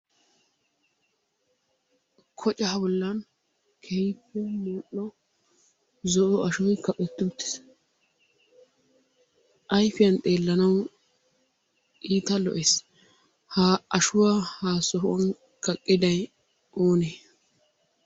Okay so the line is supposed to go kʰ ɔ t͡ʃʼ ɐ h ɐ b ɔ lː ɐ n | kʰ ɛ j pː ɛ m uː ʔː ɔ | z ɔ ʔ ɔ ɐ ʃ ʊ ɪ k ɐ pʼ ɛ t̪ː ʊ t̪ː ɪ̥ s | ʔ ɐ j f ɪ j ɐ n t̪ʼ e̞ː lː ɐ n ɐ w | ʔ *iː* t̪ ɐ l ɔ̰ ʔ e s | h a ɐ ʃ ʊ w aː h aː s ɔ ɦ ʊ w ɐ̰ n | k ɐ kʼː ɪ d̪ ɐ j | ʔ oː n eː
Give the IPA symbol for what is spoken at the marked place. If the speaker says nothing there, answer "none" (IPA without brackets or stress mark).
iː